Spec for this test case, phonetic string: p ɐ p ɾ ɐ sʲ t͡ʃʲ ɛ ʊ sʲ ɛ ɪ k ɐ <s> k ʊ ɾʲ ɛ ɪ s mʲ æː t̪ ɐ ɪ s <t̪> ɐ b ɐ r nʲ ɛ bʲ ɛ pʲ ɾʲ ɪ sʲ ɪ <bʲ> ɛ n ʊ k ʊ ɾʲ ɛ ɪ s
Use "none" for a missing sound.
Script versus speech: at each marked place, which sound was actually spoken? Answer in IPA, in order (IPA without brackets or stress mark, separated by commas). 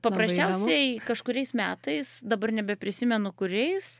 ʃ, d̪, mʲ